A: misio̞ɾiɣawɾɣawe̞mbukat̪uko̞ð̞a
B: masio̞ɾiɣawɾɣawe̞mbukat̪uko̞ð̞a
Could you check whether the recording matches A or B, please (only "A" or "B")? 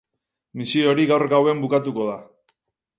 A